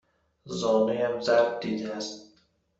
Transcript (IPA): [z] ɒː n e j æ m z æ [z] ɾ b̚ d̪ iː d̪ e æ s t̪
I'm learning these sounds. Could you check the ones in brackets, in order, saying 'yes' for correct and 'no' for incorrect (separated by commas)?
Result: yes, no